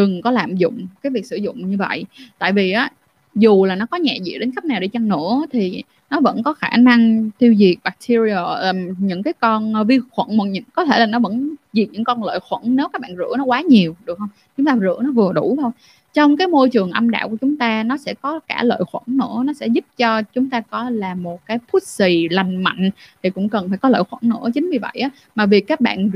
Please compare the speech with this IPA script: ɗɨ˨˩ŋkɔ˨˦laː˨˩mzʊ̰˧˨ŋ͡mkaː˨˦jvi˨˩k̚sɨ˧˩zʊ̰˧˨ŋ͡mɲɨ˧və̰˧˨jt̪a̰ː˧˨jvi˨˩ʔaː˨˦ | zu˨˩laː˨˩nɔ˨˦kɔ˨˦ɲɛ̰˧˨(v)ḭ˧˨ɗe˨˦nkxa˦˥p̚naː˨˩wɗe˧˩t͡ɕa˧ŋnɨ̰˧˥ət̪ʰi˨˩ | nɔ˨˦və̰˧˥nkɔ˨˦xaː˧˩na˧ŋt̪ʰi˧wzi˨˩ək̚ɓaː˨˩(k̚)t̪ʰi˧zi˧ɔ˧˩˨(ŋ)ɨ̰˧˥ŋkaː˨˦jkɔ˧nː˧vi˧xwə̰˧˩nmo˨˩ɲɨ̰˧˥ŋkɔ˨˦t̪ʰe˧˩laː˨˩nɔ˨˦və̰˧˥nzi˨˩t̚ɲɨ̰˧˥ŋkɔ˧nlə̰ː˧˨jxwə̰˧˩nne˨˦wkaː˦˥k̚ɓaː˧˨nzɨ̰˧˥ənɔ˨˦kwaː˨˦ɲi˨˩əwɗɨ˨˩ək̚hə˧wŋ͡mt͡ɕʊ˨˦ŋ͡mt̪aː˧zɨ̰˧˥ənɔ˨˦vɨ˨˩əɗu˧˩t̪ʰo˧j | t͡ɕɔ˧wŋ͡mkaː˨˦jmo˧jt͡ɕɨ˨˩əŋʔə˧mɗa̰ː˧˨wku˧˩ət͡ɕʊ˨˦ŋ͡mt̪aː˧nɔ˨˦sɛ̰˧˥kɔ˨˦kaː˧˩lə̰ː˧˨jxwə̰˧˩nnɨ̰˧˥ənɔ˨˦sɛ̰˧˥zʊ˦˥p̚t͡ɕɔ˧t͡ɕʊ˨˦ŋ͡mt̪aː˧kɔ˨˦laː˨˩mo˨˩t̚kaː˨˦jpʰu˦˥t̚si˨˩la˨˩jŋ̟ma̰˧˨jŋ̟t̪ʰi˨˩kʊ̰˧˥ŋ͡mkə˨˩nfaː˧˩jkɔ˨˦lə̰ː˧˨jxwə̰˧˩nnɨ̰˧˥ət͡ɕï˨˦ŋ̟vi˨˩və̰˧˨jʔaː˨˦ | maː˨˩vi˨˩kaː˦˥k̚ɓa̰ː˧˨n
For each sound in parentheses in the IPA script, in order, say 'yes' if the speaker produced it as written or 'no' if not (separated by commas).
no, yes, no